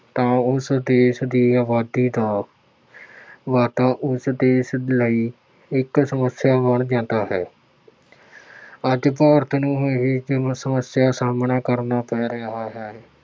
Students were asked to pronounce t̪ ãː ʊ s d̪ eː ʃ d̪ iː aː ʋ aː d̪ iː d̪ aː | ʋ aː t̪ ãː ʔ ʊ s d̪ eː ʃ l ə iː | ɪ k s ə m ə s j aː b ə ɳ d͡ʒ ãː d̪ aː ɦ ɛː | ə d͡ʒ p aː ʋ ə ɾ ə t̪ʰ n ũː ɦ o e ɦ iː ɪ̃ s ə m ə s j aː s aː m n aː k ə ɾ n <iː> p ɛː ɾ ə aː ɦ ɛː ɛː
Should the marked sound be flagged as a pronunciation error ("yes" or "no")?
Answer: yes